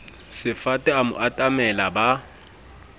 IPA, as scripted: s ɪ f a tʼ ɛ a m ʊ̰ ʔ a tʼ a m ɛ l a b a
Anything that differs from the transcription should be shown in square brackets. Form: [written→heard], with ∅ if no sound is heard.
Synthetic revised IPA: s ɪ f a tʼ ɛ a m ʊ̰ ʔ a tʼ a m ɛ l a b a